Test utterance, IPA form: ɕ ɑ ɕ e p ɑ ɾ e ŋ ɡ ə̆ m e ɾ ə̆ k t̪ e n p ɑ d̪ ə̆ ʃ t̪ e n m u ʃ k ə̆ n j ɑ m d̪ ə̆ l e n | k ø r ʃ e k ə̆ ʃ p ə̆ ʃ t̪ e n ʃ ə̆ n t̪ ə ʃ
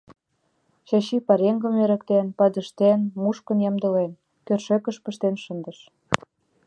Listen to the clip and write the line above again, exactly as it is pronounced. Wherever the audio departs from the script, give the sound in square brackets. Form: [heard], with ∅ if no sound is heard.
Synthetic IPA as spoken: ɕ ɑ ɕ [i] p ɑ ɾ e ŋ ɡ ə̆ m e ɾ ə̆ k t̪ e n p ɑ d̪ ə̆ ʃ t̪ e n m u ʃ k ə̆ n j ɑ m d̪ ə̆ l e n | k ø r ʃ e k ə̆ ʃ p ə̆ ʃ t̪ e n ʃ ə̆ n [d̪] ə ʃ

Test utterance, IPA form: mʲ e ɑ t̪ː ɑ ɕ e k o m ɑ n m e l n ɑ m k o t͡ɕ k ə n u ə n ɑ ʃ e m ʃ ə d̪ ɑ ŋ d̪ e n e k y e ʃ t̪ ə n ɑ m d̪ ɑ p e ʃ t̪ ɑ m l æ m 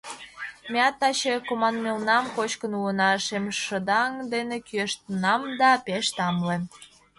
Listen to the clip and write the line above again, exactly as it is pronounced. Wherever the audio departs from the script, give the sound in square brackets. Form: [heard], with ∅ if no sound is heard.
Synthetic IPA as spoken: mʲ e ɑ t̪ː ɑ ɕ e k o m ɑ n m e l n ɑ m k o t͡ɕ k ə n u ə n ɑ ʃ e m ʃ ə d̪ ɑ ŋ d̪ e n e k y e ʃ t̪ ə n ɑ m d̪ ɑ p e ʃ t̪ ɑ m l [e] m

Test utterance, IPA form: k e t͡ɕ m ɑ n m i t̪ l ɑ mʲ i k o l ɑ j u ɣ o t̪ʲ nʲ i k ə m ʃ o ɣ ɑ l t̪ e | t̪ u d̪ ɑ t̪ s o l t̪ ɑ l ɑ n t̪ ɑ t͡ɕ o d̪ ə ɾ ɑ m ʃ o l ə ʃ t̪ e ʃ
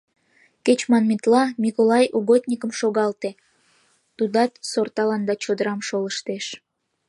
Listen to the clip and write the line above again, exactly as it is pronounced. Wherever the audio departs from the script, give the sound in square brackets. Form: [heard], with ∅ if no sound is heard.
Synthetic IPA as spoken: k e t͡ɕ m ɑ n m i t̪ l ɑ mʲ i k o l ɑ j u ɣ o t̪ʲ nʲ i k ə m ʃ o ɣ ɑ l t̪ e | t̪ u d̪ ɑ t̪ s o [r] t̪ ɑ l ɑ n [d̪] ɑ t͡ɕ o d̪ ə ɾ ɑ m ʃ o l ə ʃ t̪ e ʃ

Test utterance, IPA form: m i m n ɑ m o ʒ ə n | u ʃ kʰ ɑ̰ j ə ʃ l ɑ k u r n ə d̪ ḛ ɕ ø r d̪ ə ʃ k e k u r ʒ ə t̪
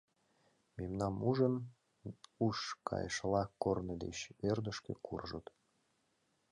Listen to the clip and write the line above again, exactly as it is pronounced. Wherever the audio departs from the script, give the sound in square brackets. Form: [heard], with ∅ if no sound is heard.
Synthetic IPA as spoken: m [e] m n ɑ m [u] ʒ ə n | u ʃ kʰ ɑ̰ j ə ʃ l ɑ k [o] r n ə d̪ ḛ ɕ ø r d̪ ə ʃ k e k u r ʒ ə t̪

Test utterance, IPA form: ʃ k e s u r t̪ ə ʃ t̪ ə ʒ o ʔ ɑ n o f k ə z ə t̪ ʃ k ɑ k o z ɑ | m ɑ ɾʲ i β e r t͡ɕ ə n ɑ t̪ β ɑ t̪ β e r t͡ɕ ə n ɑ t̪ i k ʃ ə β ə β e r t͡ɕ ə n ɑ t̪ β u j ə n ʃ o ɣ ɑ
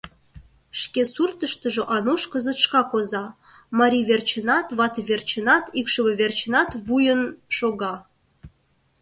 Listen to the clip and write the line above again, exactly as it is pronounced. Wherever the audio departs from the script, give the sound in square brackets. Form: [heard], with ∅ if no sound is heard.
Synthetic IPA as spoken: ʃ k e s u r t̪ ə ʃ t̪ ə ʒ o ʔ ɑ n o [ʃ] k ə z ə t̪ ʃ k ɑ k o z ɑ | m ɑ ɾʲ i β e r t͡ɕ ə n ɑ t̪ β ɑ t̪ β e r t͡ɕ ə n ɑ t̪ i k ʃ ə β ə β e r t͡ɕ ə n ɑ t̪ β u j ə n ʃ o ɣ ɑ

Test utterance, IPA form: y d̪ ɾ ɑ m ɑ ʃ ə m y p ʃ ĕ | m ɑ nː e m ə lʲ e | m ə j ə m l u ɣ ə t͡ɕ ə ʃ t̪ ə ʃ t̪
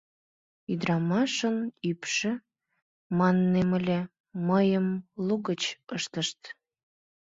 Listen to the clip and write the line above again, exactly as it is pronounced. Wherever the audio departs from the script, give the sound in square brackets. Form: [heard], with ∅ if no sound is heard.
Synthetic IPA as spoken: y d̪ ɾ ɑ m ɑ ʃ ə [n] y p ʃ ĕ | m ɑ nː e m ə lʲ e | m ə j ə m l u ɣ ə t͡ɕ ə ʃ t̪ ə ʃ t̪

